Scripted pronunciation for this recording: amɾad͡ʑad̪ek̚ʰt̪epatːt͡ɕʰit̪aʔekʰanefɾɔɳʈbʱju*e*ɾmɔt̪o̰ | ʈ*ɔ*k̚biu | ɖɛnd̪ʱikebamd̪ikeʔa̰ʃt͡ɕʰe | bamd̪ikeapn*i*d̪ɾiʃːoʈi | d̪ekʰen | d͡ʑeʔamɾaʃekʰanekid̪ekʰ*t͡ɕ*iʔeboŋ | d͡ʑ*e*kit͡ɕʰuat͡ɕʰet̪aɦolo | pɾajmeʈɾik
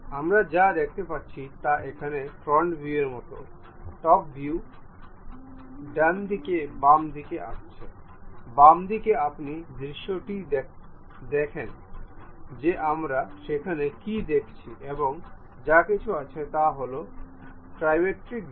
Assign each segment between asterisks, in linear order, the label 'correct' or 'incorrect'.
correct, correct, correct, incorrect, incorrect

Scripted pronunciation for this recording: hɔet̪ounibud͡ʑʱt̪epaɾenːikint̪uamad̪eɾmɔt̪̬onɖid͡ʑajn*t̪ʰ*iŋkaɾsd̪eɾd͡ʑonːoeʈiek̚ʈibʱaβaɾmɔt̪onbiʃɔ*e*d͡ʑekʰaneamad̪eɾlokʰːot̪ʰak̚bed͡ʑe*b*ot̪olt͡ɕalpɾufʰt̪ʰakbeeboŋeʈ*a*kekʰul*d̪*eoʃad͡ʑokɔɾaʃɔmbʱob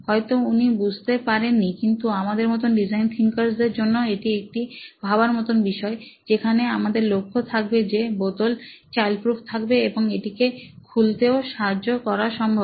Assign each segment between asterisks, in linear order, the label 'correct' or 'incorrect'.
correct, correct, correct, incorrect, incorrect

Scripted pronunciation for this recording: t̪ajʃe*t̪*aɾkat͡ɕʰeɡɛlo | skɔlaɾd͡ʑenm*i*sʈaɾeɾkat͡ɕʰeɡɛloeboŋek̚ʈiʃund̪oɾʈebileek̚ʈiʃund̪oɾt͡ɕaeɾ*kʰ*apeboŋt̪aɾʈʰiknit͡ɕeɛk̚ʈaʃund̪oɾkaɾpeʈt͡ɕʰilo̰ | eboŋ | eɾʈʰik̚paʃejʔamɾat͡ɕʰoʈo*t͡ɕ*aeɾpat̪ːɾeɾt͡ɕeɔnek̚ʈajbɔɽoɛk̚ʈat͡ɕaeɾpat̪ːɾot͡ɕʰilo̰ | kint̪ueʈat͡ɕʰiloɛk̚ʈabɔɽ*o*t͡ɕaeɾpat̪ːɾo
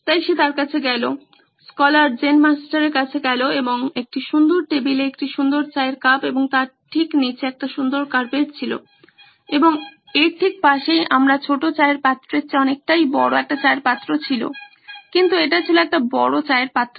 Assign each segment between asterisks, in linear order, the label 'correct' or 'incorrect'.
correct, incorrect, incorrect, correct, correct

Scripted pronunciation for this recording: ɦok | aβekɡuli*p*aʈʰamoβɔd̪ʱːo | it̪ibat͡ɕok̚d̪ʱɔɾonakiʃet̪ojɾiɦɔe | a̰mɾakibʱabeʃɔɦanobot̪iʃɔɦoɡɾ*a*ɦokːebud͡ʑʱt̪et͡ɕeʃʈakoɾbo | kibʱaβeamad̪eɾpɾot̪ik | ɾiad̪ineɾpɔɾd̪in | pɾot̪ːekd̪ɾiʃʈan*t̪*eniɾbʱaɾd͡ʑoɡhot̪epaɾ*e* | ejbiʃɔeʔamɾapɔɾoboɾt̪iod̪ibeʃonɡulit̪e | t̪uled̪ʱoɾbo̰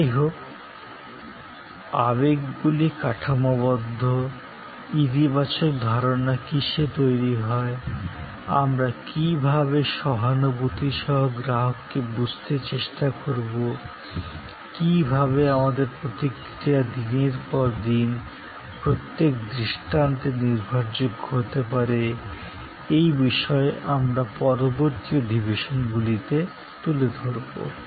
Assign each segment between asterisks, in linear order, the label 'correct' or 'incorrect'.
incorrect, correct, correct, correct

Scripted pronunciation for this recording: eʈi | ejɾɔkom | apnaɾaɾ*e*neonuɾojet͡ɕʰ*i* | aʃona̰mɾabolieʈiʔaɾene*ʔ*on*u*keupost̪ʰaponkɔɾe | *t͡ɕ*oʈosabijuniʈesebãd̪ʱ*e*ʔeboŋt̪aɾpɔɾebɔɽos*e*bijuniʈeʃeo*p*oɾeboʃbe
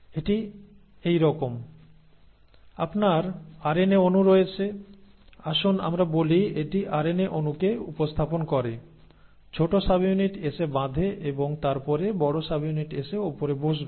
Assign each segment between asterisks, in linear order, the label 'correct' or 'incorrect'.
correct, incorrect, correct, correct, incorrect, correct, incorrect, correct

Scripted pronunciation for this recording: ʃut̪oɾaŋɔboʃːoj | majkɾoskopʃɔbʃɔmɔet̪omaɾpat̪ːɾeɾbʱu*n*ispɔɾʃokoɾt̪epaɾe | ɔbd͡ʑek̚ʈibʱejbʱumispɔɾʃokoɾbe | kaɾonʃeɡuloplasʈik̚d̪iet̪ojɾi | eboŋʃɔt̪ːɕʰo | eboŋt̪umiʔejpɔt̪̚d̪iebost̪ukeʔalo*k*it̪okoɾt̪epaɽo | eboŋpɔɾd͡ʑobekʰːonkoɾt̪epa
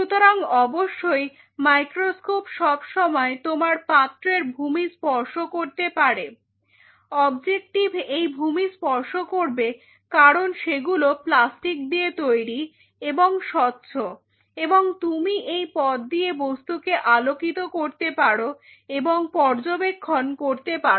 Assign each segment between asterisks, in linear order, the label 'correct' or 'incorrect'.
incorrect, correct

